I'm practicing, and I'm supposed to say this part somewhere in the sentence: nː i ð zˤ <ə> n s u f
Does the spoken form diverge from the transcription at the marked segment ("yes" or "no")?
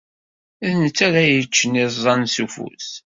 yes